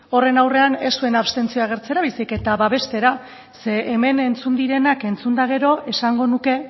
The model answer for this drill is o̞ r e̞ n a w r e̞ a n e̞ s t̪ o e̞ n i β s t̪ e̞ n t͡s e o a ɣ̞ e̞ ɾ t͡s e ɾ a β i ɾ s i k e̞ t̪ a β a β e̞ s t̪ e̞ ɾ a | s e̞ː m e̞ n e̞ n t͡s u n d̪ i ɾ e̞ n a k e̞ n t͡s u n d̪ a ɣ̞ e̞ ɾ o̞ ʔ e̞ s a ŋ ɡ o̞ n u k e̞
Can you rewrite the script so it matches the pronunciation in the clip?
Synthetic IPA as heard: o̞ r e̞ n a w r e̞ a n e̞ s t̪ u e̞ n a β s t̪ e̞ n t͡s i o a ɣ̞ e̞ ɾ t͡s e ɾ a β i s i k e̞ t̪ a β a β e̞ s t̪ e̞ ɾ a | s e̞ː m e̞ n e̞ n t͡s u n d̪ i ɾ e̞ n a k e̞ n t͡s u n d̪ a ɣ̞ e̞ ɾ o̞ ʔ e̞ s a ŋ ɡ o̞ n u k e̞